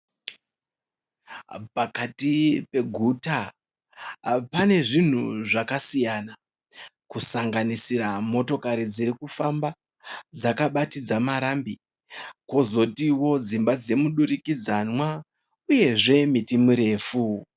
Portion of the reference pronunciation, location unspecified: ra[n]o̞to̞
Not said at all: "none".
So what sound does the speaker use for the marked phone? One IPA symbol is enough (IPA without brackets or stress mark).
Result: m